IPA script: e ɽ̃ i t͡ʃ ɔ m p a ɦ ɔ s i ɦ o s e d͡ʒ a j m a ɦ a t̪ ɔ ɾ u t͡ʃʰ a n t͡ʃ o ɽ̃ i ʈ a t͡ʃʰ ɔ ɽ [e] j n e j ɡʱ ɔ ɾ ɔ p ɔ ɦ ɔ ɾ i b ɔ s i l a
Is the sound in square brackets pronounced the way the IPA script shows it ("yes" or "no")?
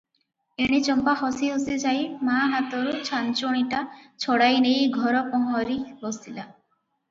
no